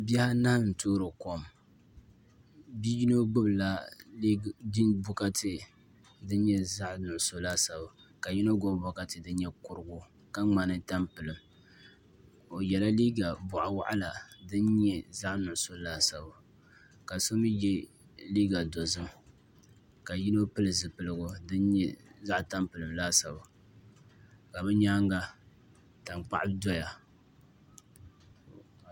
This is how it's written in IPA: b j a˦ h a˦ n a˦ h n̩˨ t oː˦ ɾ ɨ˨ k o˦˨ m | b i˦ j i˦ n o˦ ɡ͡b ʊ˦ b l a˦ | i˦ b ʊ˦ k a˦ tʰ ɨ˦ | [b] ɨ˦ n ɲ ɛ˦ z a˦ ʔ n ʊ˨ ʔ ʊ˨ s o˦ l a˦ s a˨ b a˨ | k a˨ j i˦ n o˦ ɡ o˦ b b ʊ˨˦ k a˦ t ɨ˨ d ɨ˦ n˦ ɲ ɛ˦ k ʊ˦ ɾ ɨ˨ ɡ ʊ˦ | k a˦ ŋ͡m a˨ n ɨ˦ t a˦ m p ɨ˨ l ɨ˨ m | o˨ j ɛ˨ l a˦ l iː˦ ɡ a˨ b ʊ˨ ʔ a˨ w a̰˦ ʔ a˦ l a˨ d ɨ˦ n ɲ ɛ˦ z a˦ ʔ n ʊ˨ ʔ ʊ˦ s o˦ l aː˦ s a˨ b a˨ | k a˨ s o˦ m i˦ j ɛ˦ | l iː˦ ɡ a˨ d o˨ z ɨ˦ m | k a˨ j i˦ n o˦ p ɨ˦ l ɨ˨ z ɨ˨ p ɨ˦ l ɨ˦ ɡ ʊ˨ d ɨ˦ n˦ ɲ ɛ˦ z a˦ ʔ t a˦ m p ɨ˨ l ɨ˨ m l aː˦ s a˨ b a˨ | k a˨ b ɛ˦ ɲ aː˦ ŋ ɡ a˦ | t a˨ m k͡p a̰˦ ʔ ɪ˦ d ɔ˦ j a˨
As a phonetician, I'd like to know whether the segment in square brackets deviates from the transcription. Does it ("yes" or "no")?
yes